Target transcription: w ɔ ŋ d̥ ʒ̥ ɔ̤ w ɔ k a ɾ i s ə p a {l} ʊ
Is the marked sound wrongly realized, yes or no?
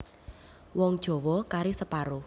yes